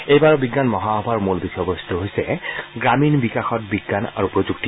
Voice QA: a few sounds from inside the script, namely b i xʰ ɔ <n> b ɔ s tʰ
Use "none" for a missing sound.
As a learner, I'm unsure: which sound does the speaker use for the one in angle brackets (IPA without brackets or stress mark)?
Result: none